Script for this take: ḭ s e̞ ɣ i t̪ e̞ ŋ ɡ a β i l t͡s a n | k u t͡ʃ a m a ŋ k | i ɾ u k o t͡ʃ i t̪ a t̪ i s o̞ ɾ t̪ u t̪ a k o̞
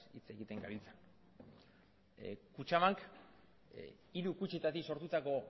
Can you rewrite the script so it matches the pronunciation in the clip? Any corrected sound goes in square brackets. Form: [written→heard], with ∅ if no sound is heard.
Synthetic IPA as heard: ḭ [s→t͡s] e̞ ɣ i t̪ e̞ ŋ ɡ a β i l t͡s a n | k u t͡ʃ a m a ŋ k | i ɾ u k [o→u] t͡ʃ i t̪ a t̪ i s o̞ ɾ t̪ u t̪ a k o̞